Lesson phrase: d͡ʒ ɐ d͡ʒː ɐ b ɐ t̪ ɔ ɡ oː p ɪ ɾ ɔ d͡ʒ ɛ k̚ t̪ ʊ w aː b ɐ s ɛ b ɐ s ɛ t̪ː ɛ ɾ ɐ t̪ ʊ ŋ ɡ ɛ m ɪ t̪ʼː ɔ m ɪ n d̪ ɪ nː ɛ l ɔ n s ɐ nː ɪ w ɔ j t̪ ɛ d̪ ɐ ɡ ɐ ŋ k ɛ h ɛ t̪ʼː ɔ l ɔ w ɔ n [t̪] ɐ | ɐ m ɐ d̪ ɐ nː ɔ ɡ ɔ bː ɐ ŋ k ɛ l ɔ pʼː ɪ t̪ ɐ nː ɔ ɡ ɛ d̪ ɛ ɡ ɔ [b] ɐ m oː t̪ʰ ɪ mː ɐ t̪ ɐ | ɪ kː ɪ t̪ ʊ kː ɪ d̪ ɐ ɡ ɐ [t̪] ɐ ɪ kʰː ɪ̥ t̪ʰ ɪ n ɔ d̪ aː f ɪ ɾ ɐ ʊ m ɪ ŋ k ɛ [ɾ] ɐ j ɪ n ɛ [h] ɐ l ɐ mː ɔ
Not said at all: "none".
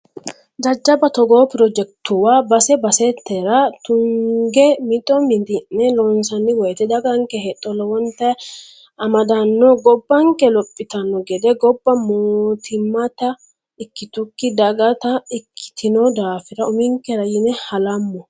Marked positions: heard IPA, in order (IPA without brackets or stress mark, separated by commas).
t̪, bː, t̪, ɾ, h